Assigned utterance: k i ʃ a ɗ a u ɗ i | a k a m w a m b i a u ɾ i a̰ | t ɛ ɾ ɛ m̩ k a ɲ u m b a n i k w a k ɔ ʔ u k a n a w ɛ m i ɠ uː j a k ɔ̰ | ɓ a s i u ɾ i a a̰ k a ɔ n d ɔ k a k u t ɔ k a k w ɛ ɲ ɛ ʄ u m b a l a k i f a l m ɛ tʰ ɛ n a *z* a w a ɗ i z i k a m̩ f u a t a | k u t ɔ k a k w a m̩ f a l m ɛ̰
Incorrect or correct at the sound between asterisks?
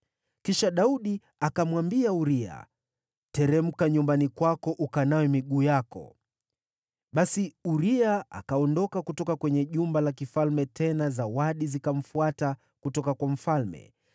correct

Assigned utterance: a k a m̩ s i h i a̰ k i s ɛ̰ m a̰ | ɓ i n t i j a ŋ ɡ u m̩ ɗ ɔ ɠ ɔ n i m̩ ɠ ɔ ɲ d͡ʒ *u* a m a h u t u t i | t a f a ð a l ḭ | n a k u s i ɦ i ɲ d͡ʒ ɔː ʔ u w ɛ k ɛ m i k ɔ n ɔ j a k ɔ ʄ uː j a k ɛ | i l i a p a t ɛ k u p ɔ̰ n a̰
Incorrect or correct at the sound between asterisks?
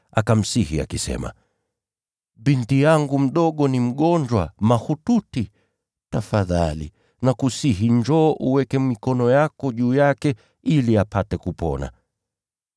incorrect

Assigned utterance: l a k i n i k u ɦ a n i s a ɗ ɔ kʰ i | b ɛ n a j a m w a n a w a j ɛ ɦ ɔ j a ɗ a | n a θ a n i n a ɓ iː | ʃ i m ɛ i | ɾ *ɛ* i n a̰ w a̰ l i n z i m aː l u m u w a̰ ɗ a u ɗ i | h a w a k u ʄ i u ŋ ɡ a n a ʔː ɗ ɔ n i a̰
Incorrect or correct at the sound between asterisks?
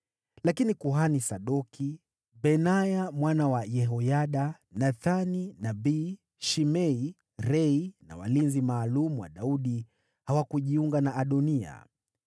correct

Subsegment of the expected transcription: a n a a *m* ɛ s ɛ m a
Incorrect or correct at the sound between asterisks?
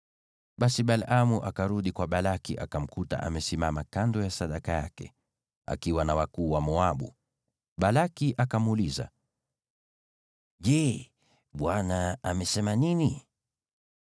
correct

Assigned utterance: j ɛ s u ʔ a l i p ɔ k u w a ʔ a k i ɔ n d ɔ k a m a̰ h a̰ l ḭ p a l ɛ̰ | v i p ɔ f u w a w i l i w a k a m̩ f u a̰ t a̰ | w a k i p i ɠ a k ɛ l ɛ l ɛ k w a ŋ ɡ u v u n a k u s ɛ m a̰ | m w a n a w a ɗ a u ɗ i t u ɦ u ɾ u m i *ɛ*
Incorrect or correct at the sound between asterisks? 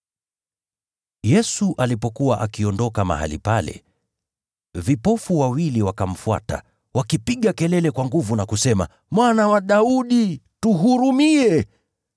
correct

